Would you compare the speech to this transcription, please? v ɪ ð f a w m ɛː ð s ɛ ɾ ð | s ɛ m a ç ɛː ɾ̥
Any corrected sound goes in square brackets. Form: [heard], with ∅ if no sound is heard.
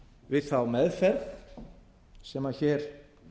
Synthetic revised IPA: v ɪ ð [θ] a w m [ɛ] ð [f] ɛ ɾ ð | s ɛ m a ç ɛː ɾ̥